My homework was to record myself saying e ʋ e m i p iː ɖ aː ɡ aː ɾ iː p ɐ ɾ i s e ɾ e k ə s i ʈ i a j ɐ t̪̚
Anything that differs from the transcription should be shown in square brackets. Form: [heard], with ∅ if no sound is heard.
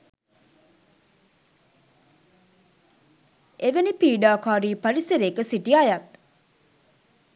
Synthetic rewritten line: e ʋ e [n] i p iː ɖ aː [k] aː ɾ iː p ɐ ɾ i s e ɾ e k ə s i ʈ i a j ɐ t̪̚